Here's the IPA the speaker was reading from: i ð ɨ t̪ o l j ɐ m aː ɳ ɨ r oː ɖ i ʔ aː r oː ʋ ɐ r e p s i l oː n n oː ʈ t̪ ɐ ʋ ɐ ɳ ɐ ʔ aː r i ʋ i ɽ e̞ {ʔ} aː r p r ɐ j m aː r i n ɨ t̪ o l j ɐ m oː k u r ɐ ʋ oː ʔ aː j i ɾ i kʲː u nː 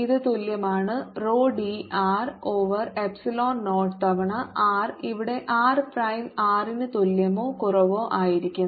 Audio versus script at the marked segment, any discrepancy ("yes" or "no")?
no